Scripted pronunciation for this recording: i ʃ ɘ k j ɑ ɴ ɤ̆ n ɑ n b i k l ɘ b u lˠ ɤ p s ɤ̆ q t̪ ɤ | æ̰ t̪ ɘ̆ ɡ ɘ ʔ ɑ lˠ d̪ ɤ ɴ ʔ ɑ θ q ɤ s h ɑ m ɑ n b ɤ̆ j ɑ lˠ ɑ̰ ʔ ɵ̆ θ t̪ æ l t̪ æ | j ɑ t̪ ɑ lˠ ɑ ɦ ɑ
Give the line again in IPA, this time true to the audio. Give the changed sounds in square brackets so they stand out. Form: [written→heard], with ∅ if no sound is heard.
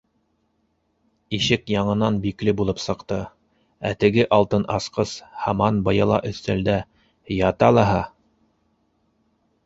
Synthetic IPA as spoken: i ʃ ɘ k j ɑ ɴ ɤ̆ n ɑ n b i k l ɘ b u lˠ ɤ p s ɤ̆ q t̪ ɤ | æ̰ t̪ ɘ̆ ɡ ɘ ʔ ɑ lˠ [d̪→t̪] ɤ [ɴ→n] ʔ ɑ [θ→s] q ɤ s h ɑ m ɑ n b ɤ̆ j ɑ lˠ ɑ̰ ʔ ɵ̆ θ t̪ æ l [t̪→d̪] æ | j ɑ t̪ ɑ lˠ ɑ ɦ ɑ